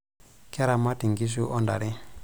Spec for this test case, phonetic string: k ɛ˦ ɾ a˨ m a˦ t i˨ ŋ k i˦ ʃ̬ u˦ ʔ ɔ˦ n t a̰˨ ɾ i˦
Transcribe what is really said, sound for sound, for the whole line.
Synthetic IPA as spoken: k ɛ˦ ɾ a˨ m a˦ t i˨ ŋ ɡ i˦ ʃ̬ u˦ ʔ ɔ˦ n d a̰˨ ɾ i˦